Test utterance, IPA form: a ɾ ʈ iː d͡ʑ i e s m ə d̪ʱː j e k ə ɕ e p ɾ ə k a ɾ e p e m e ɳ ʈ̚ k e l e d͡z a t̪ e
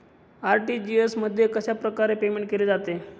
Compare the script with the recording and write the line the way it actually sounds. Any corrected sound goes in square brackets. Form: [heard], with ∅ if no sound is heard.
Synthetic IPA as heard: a ɾ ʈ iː d͡ʑ i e s m ə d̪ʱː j e k ə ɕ [a] p ɾ ə k a ɾ e p e m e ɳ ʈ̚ k e l e d͡z a t̪ e